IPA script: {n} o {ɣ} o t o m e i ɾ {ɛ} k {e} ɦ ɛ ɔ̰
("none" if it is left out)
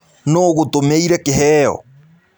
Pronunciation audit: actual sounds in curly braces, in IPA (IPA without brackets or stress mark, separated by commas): n, ɣ, ɛ, e